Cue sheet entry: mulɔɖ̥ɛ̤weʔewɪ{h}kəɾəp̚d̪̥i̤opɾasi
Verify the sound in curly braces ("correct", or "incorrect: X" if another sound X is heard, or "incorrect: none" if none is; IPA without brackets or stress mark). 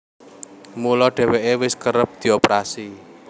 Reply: incorrect: s